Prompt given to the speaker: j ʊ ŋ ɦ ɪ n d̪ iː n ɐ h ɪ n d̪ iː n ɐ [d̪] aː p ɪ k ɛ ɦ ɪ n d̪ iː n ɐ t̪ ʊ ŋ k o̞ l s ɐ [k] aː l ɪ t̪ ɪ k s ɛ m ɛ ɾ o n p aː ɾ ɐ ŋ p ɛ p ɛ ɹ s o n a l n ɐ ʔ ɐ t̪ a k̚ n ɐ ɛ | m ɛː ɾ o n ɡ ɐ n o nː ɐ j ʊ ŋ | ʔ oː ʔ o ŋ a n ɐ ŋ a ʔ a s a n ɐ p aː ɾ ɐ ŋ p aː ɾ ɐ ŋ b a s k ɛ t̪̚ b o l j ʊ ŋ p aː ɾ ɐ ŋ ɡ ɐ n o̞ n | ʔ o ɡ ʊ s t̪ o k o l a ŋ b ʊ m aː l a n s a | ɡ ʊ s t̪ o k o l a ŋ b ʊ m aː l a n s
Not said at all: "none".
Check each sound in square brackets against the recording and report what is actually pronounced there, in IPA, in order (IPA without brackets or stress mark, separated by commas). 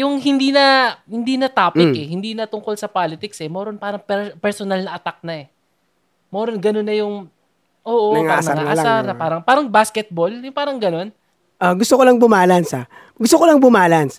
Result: t̪, p